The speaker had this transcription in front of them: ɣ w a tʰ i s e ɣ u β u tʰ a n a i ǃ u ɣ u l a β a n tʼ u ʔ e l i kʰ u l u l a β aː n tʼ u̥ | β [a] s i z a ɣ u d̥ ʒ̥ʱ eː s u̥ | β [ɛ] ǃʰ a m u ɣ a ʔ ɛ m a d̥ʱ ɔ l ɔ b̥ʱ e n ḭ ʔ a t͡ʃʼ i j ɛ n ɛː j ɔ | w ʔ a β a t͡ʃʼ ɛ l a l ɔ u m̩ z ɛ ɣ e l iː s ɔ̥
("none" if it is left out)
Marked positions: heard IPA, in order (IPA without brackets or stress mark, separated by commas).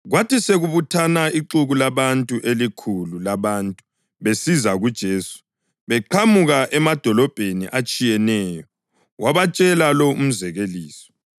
e, ɛ